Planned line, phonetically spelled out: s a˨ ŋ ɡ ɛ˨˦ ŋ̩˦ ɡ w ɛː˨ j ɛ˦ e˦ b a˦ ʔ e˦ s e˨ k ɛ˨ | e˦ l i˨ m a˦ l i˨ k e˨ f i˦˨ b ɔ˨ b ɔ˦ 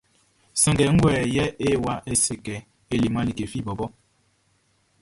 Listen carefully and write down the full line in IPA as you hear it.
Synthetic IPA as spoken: s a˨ ŋ ɡ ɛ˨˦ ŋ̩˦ ɡ w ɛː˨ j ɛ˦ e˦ w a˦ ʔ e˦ s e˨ k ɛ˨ | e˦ l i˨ m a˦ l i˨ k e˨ f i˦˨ b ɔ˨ b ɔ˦